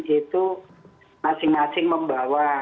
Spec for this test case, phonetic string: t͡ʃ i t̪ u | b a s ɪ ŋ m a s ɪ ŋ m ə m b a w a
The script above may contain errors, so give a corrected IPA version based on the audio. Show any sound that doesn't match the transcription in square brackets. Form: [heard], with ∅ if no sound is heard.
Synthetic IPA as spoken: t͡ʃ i t̪ u | [m] a s ɪ ŋ m a s ɪ ŋ m ə m b a w a